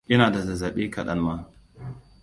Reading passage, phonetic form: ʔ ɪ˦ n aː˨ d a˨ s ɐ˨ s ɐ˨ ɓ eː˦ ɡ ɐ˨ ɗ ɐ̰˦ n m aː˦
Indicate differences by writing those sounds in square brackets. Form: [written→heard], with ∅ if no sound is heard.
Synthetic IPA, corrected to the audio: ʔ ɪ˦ n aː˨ d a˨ [s→z] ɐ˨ [s→z] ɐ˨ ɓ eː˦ [ɡ→k] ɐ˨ ɗ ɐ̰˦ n m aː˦